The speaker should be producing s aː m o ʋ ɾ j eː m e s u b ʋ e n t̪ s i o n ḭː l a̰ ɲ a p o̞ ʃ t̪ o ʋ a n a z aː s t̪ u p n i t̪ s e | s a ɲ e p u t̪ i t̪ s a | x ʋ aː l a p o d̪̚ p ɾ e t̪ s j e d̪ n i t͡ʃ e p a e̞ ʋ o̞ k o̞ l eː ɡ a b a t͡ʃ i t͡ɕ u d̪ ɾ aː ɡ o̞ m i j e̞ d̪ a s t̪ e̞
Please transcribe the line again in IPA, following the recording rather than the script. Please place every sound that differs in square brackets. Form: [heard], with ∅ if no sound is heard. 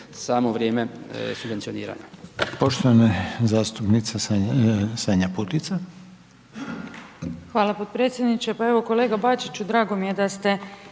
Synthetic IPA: s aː m o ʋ ɾ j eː m e s u b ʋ e n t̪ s i o n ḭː [ɾ] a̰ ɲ a p o̞ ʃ t̪ o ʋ a n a z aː s t̪ u p n i t̪ s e | s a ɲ [a] p u t̪ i t̪ s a | x ʋ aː l a p o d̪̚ p ɾ e t̪ s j e d̪ n i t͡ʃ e p a e̞ ʋ o̞ k o̞ l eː ɡ a b a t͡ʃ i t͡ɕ u d̪ ɾ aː ɡ o̞ m i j e̞ d̪ a s t̪ e̞